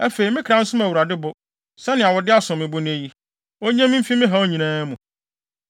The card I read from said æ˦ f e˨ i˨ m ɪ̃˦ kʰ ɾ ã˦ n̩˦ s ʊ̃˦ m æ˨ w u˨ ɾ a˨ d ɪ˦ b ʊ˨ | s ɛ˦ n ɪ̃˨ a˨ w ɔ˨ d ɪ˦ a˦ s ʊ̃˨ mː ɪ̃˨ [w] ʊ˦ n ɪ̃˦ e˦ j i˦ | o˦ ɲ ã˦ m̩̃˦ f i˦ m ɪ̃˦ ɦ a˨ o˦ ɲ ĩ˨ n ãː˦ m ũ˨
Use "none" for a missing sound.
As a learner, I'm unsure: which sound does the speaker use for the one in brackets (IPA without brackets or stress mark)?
b